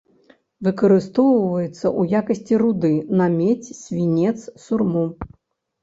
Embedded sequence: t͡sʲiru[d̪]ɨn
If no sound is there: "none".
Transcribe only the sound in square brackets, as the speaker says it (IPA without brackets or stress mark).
d̪